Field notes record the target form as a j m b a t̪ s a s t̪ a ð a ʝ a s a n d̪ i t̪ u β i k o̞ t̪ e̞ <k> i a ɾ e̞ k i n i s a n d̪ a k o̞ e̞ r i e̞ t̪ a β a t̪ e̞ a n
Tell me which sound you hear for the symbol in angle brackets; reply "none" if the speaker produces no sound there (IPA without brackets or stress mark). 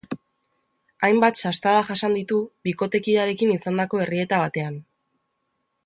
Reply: k